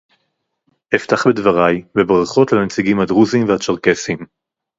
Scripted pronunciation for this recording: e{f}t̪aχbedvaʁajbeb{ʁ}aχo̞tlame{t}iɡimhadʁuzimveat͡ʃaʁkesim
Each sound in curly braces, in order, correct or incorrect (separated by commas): correct, correct, incorrect